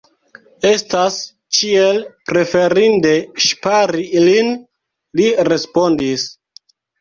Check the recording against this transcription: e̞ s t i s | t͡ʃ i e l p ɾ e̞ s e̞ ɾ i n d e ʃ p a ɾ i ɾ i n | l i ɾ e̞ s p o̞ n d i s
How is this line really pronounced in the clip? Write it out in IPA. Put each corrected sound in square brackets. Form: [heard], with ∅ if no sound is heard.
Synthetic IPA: e̞ s t [a] s | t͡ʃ i e l p ɾ e̞ [f] e̞ ɾ i n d e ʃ p a ɾ i [l] i n | l i ɾ e̞ s p o̞ n d i s